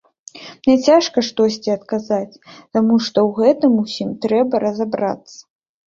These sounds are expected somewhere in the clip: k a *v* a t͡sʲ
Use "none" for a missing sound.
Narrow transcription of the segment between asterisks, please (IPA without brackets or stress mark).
z